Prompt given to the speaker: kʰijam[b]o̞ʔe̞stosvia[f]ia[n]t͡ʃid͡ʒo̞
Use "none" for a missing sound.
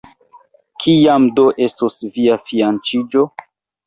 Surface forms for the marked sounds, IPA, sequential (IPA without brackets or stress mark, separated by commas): d, f, n